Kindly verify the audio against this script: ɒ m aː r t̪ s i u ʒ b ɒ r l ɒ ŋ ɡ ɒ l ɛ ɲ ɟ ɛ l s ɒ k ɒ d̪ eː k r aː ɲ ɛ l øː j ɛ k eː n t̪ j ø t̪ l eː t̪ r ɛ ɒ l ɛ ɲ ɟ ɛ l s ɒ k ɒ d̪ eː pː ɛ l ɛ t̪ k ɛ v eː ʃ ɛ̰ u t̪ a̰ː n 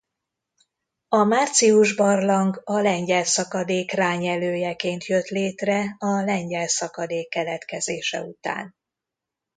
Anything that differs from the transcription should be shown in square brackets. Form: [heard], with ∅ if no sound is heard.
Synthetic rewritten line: ɒ m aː r t̪ s i u ʒ b ɒ r l ɒ ŋ ɡ ɒ l ɛ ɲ ɟ ɛ l s ɒ k ɒ d̪ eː k r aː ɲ ɛ l øː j ɛ k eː n t̪ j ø t̪ l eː t̪ r ɛ ɒ l ɛ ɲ ɟ ɛ l s ɒ k ɒ d̪ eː [kː] ɛ l ɛ t̪ k ɛ [z] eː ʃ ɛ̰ u t̪ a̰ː n